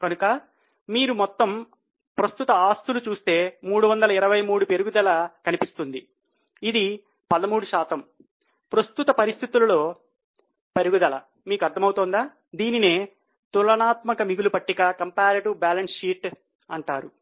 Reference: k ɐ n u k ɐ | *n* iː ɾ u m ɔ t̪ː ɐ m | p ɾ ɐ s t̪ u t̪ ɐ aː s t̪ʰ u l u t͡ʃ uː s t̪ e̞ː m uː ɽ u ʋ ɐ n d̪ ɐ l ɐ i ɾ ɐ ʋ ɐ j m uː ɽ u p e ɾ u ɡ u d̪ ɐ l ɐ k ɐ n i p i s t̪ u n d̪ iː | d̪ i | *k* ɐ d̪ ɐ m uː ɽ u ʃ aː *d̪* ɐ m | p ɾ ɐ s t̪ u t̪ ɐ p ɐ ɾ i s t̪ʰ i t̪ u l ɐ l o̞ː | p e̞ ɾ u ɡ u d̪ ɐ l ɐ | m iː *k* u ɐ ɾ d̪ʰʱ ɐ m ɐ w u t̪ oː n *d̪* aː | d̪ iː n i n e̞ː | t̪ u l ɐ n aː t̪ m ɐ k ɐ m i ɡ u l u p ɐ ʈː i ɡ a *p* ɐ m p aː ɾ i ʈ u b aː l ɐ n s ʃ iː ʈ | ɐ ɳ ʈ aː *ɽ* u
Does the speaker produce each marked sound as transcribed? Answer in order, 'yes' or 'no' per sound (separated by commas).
no, no, no, yes, yes, no, no